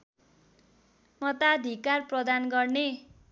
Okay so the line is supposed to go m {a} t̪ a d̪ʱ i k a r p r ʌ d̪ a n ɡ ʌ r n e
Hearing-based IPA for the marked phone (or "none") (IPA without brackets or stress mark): ʌ